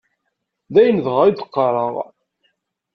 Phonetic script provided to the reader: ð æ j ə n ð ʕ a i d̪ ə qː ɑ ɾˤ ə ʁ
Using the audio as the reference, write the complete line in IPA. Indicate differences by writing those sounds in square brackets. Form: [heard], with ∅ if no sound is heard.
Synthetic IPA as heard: ð æ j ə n ð [ʁ] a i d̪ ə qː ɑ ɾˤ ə ʁ